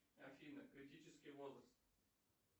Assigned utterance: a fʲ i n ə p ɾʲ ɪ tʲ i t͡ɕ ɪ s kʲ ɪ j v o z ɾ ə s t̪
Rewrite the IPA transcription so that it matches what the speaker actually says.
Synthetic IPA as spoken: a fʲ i n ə k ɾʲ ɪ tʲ i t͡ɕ ɪ s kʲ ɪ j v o z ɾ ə s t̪

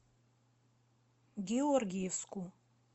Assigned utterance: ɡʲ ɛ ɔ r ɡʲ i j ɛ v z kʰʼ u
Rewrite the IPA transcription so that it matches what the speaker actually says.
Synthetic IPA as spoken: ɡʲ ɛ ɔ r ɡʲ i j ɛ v s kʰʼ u

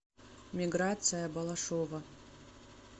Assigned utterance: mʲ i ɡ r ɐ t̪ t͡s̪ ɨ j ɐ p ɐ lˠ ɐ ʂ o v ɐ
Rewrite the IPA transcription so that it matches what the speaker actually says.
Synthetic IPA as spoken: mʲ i ɡ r a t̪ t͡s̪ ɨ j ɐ b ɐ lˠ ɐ ʂ o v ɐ

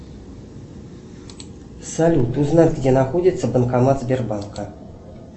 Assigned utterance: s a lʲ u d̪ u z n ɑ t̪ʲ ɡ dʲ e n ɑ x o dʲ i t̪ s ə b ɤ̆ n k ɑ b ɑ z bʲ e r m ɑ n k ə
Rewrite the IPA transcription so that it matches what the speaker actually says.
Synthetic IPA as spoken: s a lʲ u t̪ u z n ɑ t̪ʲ ɡ dʲ e n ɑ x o dʲ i t̪ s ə b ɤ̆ n k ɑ m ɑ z bʲ e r b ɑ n k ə

